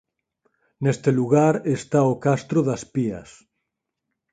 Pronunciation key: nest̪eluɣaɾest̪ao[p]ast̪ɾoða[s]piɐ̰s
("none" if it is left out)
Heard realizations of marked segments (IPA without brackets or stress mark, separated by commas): k, s